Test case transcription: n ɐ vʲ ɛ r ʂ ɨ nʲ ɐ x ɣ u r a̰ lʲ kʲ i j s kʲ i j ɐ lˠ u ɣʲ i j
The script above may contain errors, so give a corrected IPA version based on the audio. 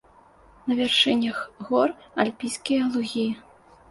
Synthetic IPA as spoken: n ɐ vʲ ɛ r ʂ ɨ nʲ ɐ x ɣ ɔ r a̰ lʲ pʲ i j s kʲ i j ɐ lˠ u ɣʲ i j